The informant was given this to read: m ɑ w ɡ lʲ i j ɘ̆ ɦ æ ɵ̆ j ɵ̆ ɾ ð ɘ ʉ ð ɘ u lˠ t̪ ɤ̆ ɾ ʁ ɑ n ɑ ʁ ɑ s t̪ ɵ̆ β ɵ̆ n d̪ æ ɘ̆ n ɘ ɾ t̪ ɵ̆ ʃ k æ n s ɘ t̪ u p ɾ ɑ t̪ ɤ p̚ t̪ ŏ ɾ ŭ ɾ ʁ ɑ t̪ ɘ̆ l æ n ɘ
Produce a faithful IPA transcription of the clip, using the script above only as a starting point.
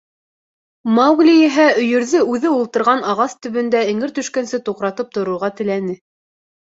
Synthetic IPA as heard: m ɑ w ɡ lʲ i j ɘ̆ ɦ æ ɵ̆ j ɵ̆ ɾ ð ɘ ʉ ð ɘ u lˠ t̪ ɤ̆ ɾ ʁ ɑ n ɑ ʁ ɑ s t̪ ɵ̆ β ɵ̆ n d̪ æ ɘ̆ ŋ ɘ ɾ t̪ ɵ̆ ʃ k æ n s ɘ t̪ u q ɾ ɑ t̪ ɤ p̚ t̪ ŏ ɾ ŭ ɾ ʁ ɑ t̪ ɘ̆ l æ n ɘ